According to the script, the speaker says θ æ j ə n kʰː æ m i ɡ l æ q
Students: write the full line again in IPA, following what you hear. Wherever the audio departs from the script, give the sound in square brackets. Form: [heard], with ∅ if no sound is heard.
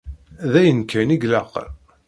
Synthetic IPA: [ð] æ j ə n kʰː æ [n] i ɡ l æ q